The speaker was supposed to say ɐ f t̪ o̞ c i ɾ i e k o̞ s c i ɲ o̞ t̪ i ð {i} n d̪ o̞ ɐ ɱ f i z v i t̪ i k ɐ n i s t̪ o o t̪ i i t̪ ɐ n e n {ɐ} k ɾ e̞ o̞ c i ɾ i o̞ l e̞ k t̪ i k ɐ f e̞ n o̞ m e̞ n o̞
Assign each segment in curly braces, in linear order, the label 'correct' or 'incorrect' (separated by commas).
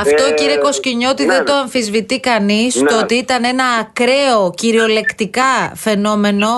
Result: incorrect, incorrect